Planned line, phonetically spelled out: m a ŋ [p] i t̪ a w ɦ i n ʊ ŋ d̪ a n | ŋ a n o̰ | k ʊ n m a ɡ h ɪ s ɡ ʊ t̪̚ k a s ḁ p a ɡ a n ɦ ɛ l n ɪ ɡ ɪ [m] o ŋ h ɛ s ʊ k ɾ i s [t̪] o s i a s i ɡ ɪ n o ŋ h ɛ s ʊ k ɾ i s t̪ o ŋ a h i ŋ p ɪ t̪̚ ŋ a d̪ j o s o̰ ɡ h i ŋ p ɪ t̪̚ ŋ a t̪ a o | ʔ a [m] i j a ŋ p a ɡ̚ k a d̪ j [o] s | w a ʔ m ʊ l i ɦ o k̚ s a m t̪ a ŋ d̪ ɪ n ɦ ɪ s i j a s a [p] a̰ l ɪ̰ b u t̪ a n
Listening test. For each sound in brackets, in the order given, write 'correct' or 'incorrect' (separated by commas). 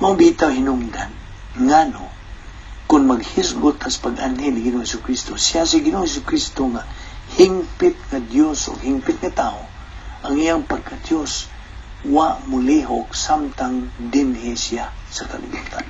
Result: incorrect, incorrect, correct, incorrect, correct, incorrect